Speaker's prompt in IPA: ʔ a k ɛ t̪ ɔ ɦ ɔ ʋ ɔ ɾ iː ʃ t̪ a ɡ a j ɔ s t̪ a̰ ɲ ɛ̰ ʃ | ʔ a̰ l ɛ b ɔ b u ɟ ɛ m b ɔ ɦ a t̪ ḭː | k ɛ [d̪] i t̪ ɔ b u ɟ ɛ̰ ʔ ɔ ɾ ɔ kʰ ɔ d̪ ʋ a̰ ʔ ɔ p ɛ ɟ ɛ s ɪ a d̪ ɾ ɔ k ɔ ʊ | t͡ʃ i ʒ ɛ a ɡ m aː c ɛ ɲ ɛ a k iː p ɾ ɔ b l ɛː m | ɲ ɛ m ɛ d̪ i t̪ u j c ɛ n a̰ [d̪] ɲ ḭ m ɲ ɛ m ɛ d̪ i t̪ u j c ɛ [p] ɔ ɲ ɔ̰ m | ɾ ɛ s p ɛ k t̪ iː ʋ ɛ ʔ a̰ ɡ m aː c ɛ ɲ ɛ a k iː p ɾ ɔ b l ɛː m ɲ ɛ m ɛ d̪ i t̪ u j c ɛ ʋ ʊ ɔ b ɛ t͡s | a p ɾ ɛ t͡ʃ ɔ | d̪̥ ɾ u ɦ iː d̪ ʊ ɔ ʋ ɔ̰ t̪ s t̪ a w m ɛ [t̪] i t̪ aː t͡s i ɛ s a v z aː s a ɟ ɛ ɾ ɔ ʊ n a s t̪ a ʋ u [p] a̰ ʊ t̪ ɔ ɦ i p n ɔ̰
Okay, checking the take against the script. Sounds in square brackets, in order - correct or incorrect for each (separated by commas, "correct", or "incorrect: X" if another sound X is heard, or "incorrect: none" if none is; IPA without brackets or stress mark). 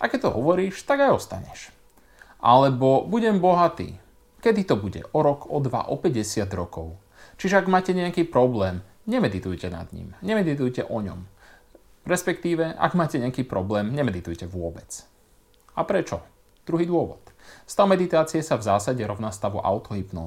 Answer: correct, correct, incorrect: ʔ, incorrect: d̪, incorrect: ʔ